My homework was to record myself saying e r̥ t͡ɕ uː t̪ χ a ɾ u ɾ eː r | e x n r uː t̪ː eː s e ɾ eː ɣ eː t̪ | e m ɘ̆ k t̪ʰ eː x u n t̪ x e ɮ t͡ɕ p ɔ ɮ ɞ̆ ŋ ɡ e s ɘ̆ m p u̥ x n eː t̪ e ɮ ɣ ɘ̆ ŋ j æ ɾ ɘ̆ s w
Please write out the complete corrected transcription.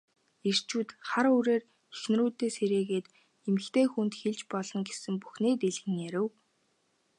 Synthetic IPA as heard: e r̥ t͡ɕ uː t̪ χ a ɾ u ɾ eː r | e x n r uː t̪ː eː s e ɾ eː ɣ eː t̪ | e m ɘ̆ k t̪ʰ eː x u n t̪ x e ɮ t͡ɕ p ɔ ɮ ɞ̆ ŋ ɡ e s ɘ̆ m p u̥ x n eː t̪ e ɮ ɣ ɘ̆ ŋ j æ ɾ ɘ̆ w